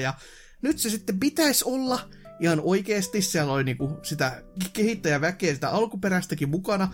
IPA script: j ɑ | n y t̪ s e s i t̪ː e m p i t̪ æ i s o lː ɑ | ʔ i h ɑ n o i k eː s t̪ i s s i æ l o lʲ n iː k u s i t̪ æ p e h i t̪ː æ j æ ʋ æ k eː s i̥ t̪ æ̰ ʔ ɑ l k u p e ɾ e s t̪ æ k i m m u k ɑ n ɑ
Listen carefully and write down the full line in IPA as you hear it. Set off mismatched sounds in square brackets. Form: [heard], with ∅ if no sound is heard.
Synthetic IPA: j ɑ | n y t̪ s e s i t̪ː e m p i t̪ æ i s o lː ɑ | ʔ i h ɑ n o i k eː s t̪ i s s i æ l o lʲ n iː k u s i t̪ æ [k] e h i t̪ː æ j æ ʋ æ k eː s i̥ t̪ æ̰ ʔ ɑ l k u p e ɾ [æ] s t̪ æ k i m m u k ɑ n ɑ